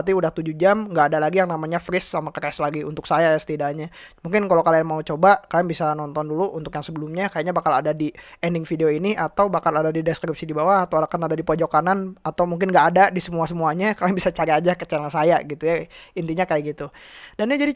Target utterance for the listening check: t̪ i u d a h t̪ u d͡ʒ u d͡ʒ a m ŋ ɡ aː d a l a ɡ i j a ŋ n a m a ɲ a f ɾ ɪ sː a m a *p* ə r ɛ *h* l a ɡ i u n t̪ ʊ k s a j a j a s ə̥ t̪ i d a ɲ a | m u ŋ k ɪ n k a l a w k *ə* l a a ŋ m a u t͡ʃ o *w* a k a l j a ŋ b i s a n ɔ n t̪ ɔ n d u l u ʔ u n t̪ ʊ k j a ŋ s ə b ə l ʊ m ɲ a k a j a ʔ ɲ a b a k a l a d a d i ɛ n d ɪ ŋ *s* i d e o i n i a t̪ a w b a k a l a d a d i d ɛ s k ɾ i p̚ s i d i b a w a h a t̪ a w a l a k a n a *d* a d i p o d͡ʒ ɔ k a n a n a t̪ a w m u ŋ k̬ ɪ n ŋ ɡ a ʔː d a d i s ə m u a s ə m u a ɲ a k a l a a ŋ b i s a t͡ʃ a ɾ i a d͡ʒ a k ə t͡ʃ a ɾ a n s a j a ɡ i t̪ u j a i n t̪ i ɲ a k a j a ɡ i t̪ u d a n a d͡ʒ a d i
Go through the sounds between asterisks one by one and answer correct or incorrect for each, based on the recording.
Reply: incorrect: k, incorrect: s, incorrect: a, incorrect: b, incorrect: f, correct

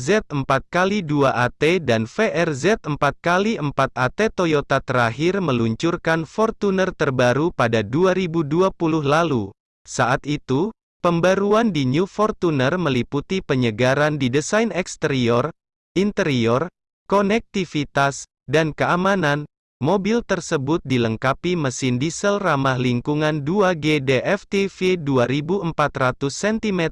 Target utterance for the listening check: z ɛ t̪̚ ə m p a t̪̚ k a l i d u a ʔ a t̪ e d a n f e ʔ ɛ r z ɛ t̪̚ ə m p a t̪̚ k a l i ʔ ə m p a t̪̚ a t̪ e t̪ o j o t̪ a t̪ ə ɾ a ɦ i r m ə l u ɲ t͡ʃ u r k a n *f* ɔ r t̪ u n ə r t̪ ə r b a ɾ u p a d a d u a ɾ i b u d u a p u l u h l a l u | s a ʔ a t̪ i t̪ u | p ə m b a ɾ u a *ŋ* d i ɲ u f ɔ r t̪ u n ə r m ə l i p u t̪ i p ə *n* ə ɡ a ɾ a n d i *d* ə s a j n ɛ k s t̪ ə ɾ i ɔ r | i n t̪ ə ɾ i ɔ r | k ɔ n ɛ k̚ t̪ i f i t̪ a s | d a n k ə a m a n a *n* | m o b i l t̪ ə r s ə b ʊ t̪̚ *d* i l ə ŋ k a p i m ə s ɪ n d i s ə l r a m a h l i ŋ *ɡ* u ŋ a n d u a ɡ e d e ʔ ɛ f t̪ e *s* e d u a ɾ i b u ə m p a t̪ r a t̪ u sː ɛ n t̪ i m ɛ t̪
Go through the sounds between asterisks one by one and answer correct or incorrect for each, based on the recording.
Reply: correct, incorrect: n, incorrect: ɲ, correct, correct, correct, incorrect: k, incorrect: f

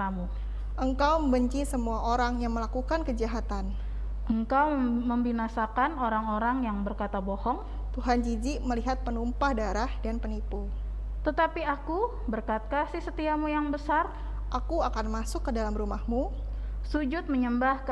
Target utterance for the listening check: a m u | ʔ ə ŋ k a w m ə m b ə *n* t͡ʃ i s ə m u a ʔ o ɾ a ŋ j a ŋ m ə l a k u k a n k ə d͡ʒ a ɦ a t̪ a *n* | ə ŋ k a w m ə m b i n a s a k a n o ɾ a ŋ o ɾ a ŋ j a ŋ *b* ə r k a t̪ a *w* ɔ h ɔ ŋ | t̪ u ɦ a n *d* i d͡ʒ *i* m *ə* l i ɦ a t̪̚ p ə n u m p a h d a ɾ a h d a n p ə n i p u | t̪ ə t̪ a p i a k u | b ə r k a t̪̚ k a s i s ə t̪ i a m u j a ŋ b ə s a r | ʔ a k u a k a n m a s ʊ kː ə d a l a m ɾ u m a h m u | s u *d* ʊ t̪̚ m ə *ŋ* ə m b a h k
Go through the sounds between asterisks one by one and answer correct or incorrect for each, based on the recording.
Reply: incorrect: ɲ, correct, correct, incorrect: b, incorrect: d͡ʒ, correct, correct, incorrect: d͡ʒ, incorrect: ɲ

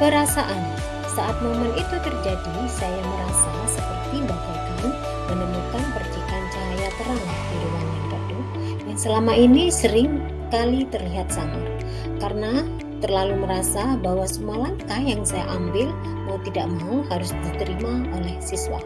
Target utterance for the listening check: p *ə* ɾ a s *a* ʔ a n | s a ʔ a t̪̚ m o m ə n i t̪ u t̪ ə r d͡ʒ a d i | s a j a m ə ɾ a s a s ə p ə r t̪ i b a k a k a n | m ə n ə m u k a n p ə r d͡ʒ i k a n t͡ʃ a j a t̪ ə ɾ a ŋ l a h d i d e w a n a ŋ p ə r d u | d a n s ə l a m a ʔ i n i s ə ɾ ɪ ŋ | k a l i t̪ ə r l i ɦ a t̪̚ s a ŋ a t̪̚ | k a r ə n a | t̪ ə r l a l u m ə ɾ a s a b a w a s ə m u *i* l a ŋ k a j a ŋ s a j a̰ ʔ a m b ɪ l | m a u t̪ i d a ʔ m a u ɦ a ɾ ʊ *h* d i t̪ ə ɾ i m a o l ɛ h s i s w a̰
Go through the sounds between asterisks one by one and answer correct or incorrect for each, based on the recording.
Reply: correct, correct, incorrect: a, incorrect: s

